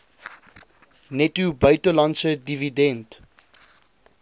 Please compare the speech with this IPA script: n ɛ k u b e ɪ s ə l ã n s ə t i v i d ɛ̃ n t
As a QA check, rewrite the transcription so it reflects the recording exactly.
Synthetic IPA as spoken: n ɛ t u b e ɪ t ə l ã n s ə d i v i d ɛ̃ n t